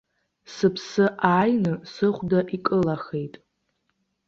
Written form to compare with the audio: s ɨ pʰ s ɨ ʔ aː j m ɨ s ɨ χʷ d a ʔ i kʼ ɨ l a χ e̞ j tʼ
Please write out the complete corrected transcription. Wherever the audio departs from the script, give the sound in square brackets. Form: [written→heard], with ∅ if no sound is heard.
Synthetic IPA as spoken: s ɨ pʰ s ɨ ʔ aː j [m→n] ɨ s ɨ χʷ d a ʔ i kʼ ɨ l a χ e̞ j tʼ